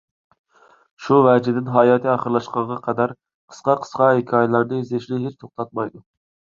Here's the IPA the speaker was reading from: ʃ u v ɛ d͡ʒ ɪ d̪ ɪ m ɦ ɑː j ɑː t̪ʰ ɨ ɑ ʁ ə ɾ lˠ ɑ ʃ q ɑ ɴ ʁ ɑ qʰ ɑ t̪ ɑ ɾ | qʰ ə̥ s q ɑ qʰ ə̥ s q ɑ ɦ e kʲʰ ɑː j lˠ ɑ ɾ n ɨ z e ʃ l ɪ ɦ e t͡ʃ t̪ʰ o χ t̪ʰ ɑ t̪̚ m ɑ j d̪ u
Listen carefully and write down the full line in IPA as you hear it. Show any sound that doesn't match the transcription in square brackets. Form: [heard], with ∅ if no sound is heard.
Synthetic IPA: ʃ u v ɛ d͡ʒ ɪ d̪ ɪ [n] ɦ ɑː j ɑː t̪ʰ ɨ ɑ [χ] ə ɾ lˠ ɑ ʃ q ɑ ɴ ʁ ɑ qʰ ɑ [d̪] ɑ ɾ | qʰ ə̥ s q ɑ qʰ ə̥ s q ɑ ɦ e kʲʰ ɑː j lˠ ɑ ɾ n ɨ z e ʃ l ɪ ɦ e t͡ʃ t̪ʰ o χ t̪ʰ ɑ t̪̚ m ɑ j d̪ u

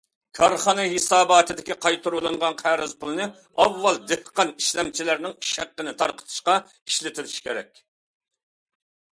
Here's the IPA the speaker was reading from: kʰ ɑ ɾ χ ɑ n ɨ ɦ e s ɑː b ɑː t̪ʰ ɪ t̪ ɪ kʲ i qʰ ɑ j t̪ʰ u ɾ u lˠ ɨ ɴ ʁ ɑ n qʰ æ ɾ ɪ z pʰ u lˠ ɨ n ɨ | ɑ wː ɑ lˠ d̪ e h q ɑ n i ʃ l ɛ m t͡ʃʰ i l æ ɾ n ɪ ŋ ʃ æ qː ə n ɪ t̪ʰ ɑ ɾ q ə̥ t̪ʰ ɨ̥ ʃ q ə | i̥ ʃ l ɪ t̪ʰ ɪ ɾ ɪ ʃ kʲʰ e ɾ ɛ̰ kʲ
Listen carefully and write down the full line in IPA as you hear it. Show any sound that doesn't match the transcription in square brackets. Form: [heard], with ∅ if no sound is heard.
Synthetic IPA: kʰ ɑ ɾ χ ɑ n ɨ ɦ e s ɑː b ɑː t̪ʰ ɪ [d̪] ɪ kʲ i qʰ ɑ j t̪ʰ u ɾ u lˠ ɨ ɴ ʁ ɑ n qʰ æ ɾ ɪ z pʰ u lˠ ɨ n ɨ | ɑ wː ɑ lˠ d̪ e h q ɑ n i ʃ l ɛ m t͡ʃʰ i l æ ɾ n ɪ ŋ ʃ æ qː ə n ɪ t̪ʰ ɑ ɾ q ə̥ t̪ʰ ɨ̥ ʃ q [ɑ] | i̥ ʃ l ɪ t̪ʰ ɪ ɾ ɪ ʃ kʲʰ e ɾ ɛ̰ kʲ

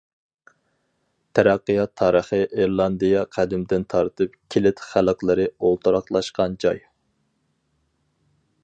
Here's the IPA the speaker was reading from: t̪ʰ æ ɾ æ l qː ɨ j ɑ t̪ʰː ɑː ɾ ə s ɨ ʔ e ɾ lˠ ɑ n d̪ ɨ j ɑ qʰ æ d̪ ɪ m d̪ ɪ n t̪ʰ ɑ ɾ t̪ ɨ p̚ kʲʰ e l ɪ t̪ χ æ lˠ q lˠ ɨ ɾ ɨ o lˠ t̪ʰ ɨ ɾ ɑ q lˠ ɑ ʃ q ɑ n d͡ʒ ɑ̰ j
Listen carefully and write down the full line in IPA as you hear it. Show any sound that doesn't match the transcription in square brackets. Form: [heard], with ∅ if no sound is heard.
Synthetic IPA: t̪ʰ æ ɾ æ [∅] qː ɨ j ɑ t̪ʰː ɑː ɾ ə [χ] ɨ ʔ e ɾ lˠ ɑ n d̪ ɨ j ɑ qʰ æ d̪ ɪ m d̪ ɪ n t̪ʰ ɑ ɾ t̪ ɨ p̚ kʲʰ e l ɪ t̪ χ æ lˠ q lˠ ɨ ɾ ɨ o lˠ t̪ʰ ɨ ɾ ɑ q lˠ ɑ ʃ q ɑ n d͡ʒ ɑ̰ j

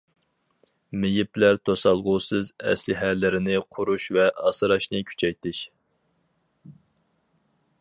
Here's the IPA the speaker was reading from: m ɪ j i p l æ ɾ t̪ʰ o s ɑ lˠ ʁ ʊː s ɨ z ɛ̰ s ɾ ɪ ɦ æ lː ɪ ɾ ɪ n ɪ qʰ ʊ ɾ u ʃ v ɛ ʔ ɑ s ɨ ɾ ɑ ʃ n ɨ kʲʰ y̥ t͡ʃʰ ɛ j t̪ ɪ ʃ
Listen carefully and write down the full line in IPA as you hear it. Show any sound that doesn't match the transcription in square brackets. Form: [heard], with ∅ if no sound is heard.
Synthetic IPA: m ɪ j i p l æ ɾ t̪ʰ o s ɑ lˠ ʁ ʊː s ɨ z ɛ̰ s [l] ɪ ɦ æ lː ɪ ɾ ɪ n ɪ qʰ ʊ ɾ u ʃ v ɛ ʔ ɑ s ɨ ɾ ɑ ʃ n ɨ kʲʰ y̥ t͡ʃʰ ɛ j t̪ ɪ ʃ

